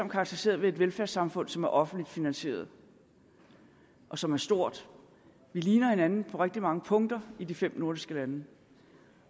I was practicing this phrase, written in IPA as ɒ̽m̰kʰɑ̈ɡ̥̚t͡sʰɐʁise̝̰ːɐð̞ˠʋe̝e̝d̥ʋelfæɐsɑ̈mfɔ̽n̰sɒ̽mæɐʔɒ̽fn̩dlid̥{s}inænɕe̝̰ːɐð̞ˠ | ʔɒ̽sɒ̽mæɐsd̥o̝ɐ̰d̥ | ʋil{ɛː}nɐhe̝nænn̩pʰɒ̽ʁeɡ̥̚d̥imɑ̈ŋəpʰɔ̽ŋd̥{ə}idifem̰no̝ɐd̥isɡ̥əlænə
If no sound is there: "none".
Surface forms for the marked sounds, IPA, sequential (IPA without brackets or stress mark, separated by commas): f, iː, ɐ